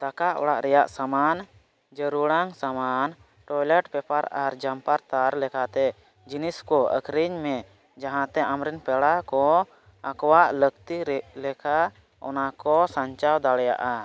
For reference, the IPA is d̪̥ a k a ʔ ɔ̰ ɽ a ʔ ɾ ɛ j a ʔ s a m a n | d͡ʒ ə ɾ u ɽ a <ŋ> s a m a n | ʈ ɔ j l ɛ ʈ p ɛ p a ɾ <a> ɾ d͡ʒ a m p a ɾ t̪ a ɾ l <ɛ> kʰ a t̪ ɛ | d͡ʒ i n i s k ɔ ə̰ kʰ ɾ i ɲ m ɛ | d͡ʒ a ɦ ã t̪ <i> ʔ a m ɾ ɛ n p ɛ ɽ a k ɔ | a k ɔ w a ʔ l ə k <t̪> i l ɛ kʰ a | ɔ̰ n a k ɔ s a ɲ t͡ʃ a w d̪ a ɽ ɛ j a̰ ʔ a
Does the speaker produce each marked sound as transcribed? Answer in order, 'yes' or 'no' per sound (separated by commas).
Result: yes, yes, yes, no, yes